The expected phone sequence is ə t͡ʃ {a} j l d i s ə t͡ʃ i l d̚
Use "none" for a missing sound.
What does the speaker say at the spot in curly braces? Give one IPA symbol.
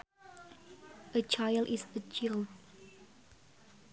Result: a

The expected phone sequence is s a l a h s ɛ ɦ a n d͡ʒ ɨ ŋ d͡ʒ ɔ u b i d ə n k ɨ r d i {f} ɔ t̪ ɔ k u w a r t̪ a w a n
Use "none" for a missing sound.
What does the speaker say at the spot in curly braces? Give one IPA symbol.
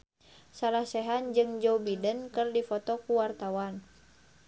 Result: f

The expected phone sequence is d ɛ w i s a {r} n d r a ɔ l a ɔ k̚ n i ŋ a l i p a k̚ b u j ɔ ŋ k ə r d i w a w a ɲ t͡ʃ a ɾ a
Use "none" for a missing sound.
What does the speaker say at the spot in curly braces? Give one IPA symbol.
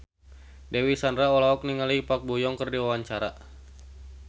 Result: none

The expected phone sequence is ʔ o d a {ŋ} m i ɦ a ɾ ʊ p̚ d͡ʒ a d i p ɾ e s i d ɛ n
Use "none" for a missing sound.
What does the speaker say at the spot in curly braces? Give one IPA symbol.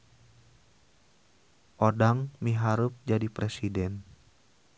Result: ŋ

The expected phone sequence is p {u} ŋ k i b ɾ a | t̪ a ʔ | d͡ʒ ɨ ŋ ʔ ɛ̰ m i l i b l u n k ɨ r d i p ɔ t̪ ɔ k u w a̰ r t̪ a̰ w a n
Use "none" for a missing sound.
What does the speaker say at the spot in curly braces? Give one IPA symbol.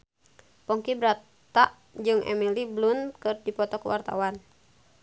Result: ɔ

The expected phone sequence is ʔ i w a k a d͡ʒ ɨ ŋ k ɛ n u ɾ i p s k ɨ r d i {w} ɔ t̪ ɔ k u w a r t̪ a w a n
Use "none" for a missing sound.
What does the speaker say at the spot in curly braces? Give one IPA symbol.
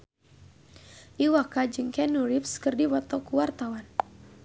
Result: w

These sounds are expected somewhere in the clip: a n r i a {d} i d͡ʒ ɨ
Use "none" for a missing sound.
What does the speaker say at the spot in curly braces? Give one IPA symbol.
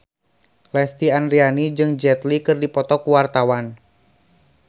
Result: n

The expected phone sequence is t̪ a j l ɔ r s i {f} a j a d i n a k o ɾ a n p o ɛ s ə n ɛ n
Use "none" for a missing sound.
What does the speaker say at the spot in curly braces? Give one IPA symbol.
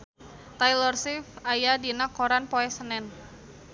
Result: f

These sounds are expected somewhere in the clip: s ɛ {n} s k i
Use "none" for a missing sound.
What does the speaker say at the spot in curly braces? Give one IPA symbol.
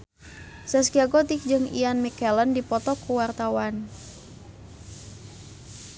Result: none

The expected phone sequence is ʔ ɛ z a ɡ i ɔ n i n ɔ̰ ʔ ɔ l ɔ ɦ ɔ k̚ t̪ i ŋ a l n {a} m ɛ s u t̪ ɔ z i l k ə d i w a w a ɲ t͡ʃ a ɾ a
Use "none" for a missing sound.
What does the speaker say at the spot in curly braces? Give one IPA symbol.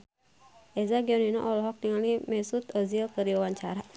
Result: i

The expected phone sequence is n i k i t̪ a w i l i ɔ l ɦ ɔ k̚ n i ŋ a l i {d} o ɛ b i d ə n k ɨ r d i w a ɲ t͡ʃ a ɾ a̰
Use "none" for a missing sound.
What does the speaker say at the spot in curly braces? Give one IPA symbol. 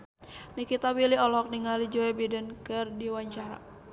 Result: d͡ʒ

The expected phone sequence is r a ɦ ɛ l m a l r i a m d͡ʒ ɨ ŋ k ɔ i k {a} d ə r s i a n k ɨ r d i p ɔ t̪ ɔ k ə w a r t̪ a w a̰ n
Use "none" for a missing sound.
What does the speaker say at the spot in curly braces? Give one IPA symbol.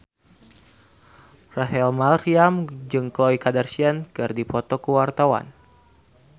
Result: a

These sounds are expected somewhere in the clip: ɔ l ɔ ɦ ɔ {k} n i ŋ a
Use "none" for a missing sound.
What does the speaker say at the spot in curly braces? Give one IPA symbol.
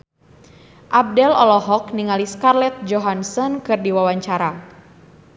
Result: k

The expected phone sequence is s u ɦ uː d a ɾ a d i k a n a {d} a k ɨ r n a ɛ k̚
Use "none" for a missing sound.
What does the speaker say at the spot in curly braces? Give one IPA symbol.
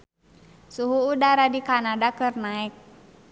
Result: d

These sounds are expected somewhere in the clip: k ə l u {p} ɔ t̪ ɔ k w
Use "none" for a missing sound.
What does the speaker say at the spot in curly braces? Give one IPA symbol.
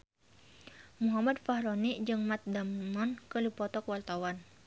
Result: p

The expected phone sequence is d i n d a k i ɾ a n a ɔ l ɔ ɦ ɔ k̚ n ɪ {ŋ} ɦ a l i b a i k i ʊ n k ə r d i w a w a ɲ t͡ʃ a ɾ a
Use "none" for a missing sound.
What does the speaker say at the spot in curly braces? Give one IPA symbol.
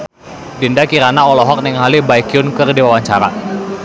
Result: ŋ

